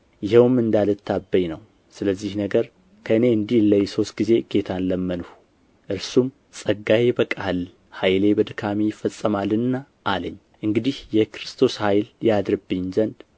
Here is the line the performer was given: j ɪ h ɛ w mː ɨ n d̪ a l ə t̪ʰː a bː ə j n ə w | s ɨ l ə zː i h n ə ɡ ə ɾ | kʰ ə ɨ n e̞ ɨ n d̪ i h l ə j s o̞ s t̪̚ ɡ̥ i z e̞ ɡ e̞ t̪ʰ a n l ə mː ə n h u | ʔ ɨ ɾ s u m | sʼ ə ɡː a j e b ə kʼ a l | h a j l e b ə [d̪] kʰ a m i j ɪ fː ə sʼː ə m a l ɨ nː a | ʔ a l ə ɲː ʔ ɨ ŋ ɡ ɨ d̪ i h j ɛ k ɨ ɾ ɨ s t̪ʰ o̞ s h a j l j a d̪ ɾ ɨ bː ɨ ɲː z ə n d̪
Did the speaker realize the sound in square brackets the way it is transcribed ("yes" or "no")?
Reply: yes